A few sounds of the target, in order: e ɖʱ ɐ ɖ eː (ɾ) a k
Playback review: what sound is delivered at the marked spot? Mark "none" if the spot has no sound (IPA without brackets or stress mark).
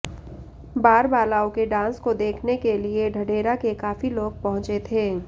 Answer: ɾ